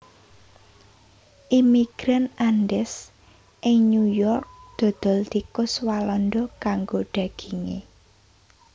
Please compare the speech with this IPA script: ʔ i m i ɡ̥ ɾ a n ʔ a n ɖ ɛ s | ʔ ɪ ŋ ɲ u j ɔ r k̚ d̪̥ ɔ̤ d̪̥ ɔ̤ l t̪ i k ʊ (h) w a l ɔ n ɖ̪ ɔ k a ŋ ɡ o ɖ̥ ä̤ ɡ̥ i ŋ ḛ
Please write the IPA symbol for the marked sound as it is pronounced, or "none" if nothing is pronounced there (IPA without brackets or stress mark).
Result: s